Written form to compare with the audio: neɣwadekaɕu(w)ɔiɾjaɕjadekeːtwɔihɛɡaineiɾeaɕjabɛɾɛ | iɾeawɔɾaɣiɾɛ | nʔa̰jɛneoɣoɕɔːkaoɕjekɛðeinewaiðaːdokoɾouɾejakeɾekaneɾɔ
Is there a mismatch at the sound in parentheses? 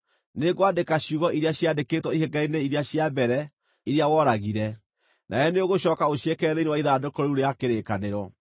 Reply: yes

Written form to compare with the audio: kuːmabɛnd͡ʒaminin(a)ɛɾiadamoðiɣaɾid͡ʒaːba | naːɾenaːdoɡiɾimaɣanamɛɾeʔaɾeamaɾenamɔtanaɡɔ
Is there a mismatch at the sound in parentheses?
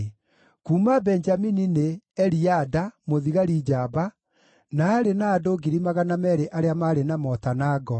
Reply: yes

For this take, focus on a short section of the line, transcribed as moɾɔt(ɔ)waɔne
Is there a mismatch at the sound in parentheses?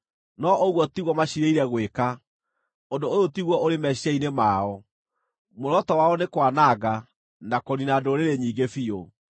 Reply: no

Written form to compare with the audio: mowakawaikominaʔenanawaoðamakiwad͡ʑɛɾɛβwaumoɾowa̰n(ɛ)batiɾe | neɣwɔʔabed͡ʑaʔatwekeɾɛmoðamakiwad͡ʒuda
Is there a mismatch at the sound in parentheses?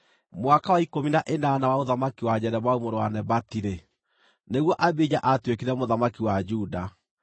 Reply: no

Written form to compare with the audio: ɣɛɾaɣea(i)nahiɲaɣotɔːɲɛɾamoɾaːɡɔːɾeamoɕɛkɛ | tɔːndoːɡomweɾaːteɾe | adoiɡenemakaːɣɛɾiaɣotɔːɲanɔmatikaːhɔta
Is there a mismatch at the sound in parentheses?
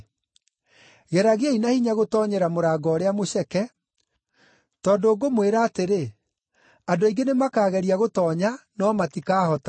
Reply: no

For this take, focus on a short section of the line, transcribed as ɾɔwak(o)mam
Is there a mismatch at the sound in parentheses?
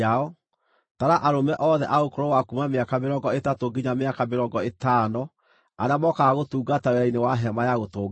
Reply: yes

